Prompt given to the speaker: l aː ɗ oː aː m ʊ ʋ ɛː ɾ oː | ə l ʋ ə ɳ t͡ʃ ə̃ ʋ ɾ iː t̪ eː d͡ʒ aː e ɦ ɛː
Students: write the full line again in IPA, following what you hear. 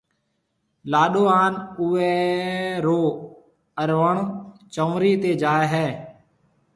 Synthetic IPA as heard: l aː ɗ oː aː n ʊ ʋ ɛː ɾ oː | ə ɾ ʋ ə ɳ t͡ʃ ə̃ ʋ ɾ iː t̪ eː d͡ʒ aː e ɦ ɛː